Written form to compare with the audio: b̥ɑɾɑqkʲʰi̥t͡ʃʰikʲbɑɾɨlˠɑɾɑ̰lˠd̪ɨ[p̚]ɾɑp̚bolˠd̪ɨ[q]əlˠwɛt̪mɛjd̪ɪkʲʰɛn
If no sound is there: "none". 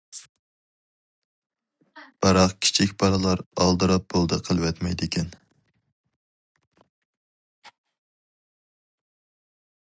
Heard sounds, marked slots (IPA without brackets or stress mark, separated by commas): none, qʰ